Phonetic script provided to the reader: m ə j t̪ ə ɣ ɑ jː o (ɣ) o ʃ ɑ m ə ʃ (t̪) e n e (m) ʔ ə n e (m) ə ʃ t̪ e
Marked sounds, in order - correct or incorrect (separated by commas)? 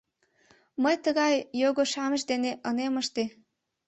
correct, incorrect, incorrect, correct